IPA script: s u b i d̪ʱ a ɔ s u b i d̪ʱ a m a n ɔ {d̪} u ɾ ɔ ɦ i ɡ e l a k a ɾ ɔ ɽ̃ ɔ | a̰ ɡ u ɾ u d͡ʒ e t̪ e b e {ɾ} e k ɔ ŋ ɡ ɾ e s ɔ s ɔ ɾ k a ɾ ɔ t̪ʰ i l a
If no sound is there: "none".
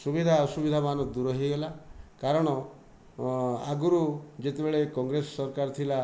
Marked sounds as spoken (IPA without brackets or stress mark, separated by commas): d̪, ɭ